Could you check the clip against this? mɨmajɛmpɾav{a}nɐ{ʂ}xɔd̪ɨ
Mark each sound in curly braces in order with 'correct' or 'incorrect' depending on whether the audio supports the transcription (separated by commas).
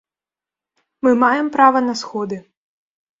incorrect, incorrect